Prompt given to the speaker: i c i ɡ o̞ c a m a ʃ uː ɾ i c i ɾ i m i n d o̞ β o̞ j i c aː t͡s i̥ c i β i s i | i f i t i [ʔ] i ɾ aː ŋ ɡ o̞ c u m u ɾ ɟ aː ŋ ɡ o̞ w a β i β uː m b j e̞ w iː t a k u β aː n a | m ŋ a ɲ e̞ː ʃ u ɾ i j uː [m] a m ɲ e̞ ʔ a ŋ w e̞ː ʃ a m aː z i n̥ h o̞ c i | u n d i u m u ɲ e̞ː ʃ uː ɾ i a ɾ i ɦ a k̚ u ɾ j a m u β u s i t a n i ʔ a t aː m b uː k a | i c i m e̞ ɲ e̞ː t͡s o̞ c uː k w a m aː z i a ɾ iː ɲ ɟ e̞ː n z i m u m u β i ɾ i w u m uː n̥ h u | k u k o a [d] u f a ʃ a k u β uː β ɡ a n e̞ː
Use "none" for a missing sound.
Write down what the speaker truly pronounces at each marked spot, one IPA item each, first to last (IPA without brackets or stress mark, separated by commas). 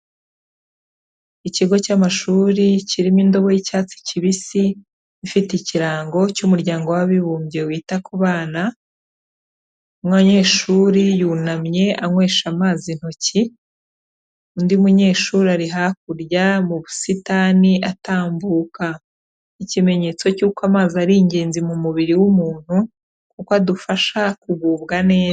c, n, d